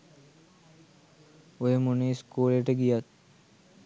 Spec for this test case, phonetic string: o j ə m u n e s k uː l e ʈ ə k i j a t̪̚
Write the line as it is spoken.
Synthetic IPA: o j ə m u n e s k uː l e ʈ ə ɡ i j a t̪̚